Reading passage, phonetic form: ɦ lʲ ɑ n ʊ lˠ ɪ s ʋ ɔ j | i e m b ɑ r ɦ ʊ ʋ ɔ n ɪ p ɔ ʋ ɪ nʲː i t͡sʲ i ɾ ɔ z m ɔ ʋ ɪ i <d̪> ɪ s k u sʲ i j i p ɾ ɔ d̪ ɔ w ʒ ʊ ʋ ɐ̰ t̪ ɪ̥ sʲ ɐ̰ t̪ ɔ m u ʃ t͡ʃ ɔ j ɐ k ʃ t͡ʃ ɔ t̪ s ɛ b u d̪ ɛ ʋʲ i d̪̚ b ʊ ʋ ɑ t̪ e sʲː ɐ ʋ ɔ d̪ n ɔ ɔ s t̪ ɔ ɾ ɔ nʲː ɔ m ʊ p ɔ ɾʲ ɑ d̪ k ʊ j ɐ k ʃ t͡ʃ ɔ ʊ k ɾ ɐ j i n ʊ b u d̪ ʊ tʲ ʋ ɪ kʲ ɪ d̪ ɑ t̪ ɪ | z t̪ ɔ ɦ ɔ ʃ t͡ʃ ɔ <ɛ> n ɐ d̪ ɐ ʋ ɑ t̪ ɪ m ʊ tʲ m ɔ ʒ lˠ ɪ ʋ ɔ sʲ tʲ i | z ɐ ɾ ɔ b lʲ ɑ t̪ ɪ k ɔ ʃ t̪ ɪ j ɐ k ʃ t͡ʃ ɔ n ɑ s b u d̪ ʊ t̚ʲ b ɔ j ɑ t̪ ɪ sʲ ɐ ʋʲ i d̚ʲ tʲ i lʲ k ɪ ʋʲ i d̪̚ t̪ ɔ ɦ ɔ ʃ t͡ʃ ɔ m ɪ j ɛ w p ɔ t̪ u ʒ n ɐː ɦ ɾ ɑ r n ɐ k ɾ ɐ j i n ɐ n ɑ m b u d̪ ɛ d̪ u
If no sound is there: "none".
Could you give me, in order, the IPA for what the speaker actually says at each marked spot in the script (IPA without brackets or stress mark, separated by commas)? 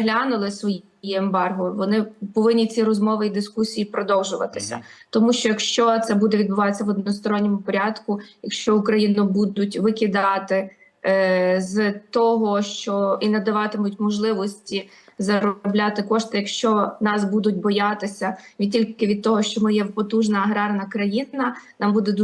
d̪, i